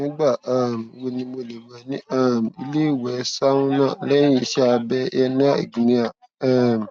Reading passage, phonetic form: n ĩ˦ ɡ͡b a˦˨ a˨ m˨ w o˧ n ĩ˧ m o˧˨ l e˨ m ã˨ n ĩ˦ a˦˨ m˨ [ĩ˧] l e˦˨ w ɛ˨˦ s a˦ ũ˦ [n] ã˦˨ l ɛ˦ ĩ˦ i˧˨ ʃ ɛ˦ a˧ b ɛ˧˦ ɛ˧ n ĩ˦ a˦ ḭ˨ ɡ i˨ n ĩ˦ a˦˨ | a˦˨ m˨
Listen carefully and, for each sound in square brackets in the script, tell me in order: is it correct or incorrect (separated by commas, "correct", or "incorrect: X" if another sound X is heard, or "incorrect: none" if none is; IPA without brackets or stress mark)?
incorrect: i˧, correct